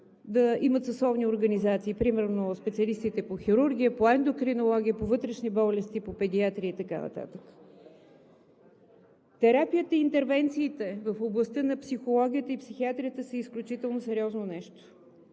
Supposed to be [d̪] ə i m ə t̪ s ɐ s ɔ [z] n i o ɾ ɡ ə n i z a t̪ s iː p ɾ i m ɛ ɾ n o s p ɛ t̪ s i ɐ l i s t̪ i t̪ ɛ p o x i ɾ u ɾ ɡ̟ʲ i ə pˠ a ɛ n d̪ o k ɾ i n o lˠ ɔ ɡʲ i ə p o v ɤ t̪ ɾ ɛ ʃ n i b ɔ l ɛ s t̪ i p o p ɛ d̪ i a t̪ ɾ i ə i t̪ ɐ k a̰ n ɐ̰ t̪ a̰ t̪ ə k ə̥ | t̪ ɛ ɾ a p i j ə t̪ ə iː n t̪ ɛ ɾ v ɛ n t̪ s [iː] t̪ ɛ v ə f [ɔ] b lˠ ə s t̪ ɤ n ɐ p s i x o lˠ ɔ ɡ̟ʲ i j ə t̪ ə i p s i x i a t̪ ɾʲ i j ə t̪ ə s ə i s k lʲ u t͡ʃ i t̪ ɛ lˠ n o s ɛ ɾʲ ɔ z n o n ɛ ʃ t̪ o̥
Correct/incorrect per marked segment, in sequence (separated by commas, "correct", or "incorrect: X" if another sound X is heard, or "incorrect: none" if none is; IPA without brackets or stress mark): correct, incorrect: v, correct, incorrect: o